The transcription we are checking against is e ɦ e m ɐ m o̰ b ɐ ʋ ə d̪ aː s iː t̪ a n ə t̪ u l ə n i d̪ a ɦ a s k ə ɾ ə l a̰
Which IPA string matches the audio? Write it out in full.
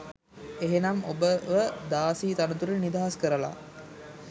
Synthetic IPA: e ɦ e n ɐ m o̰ b ə ʋ ə d̪ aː s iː t̪ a n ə t̪ u ɾ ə n i d̪ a ɦ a s k ə ɾ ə l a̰